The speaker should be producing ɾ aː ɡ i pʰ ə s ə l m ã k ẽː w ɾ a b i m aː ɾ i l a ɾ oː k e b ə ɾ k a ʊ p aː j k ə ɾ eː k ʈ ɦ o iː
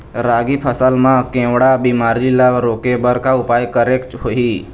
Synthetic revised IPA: ɾ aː ɡ i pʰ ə s ə l m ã k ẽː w ɽ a b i m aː ɾ i l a ɾ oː k e b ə ɾ k a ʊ p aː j k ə ɾ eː k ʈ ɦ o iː